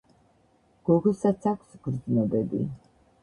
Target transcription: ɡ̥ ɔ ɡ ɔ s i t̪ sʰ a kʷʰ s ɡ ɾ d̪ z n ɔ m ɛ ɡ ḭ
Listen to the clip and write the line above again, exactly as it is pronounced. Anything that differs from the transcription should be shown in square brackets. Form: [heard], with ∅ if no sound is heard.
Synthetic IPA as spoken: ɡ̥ ɔ ɡ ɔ s [a] t̪ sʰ a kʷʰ s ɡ ɾ d̪ z n ɔ [b] ɛ [b] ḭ